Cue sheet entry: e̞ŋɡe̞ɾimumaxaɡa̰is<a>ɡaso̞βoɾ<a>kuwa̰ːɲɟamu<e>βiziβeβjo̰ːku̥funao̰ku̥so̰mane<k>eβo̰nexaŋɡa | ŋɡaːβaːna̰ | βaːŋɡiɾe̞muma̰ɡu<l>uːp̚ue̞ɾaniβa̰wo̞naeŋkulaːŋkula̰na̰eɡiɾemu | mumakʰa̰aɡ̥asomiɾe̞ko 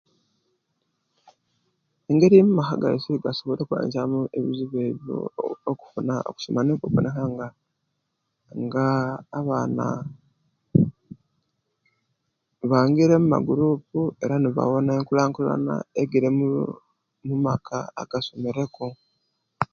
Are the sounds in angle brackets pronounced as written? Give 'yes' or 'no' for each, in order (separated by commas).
no, no, yes, yes, no